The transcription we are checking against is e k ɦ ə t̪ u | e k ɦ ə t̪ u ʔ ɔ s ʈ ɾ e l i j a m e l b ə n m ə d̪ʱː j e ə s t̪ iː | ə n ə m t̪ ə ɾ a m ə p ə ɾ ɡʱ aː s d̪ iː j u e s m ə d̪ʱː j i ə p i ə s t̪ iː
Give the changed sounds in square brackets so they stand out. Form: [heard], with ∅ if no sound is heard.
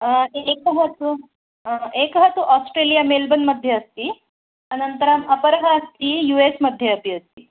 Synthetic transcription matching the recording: e k ɦ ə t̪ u | e k ɦ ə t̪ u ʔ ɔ s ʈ ɾ e l i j a m e l b ə n m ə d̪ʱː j e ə s t̪ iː | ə n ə [n] t̪ ə ɾ a m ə p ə ɾ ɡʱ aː s [t̪] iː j u e s m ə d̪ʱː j [e] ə p i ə s t̪ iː